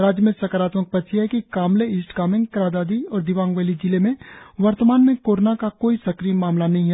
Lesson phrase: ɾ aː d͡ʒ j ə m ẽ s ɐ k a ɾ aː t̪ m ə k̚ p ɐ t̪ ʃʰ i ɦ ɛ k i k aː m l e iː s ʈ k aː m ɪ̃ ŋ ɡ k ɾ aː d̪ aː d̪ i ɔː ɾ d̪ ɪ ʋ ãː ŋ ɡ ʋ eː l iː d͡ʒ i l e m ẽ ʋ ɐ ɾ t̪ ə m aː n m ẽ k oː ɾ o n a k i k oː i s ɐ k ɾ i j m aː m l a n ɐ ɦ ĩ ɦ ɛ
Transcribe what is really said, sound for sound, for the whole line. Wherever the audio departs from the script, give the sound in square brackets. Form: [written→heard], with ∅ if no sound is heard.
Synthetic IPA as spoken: ɾ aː d͡ʒ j ə m ẽ s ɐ k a ɾ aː t̪ m ə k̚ p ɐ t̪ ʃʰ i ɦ ɛ k i k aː m l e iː s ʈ k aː m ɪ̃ ŋ ɡ k ɾ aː d̪ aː d̪ i ɔː ɾ d̪ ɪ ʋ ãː ŋ ɡ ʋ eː l [iː→i] d͡ʒ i l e m ẽ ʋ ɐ ɾ t̪ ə m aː n m ẽ k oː ɾ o n a k [i→a] k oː i s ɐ k ɾ i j m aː m l a n ɐ ɦ ĩ ɦ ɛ